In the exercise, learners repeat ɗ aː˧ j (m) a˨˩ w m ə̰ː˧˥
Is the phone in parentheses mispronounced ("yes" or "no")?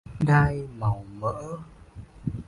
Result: no